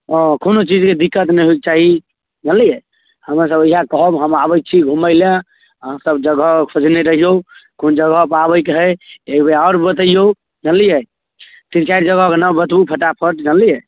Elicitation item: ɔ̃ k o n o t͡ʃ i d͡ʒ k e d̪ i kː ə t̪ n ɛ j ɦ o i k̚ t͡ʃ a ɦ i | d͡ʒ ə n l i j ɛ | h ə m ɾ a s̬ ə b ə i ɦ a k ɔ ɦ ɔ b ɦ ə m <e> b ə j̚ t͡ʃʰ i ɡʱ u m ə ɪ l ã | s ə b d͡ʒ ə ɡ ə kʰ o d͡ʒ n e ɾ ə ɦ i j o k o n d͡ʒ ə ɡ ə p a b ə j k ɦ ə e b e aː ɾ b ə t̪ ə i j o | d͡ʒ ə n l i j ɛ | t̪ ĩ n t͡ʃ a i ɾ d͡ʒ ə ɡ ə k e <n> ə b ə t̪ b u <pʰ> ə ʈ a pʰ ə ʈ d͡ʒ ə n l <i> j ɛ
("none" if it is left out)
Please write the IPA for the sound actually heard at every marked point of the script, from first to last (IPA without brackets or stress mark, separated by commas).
a, n, pʰ, i